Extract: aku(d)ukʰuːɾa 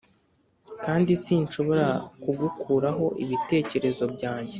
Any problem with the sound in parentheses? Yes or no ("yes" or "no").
yes